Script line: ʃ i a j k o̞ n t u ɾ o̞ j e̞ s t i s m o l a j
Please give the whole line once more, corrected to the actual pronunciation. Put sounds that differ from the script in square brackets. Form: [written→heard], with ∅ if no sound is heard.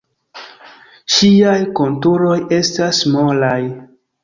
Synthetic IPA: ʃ i a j k o̞ n t u ɾ o̞ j e̞ s t [i→a] s m o l a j